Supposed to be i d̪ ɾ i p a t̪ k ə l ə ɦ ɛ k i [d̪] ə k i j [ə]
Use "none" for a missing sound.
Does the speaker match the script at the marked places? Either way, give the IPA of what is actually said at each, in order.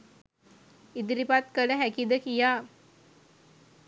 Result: d̪, a

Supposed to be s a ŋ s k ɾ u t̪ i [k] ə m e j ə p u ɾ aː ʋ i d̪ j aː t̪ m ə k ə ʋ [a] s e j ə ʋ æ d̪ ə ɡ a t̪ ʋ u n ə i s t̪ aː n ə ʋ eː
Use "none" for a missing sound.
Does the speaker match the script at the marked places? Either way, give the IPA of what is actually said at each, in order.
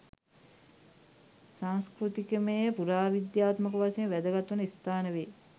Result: k, a

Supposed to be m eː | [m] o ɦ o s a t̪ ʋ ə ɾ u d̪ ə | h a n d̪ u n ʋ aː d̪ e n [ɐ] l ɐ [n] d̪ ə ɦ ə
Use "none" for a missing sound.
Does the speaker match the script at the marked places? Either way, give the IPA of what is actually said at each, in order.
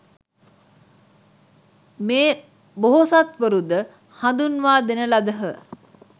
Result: b, ə, none

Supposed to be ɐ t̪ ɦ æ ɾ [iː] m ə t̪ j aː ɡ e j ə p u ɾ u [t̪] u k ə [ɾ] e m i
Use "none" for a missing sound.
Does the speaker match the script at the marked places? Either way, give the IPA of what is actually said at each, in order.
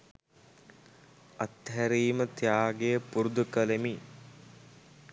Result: iː, d̪, l

